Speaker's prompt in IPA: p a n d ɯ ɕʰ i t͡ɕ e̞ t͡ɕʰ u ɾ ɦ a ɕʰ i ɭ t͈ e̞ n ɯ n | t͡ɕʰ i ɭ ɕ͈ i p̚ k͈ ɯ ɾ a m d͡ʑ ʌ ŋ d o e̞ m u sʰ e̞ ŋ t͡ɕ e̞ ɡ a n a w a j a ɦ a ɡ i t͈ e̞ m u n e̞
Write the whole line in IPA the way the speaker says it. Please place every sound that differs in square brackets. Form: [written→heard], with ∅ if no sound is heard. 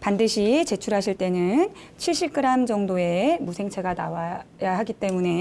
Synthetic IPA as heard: p a n d ɯ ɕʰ i t͡ɕ e̞ t͡ɕʰ u ɾ ɦ a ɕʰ i ɭ t͈ e̞ n ɯ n | t͡ɕʰ i ɭ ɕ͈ i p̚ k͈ ɯ ɾ a m d͡ʑ ʌ ŋ d o e̞ m u sʰ e̞ ŋ [t͡ɕ→t͡ɕʰ] e̞ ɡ a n a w a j a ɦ a ɡ i t͈ e̞ m u n e̞

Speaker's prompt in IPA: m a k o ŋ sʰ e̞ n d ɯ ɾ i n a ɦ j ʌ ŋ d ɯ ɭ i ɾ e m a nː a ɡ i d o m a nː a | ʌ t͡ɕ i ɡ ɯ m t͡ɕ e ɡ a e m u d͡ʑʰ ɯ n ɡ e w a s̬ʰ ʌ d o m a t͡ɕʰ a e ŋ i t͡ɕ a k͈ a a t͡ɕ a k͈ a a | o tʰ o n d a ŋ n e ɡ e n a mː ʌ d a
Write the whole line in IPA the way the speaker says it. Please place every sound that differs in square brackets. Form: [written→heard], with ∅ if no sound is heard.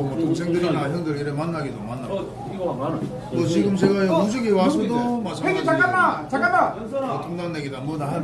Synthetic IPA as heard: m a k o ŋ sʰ e̞ [n→ŋ] d ɯ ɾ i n a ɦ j ʌ ŋ d ɯ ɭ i ɾ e m a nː a ɡ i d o m a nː a | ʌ t͡ɕ i ɡ ɯ m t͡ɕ e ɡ a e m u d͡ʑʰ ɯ [n→∅] ɡ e w a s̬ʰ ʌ d o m a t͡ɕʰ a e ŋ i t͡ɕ a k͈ a a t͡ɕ a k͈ a a | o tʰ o [n→ŋ] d a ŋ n e ɡ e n a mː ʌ d a

